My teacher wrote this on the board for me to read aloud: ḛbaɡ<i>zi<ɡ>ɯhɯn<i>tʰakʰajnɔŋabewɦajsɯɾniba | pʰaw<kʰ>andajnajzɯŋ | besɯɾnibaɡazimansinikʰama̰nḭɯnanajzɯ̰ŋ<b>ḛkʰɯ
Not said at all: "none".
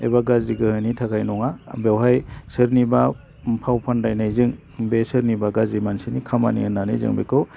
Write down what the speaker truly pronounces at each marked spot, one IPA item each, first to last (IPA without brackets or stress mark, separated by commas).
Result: a, ɡ, i, pʰ, b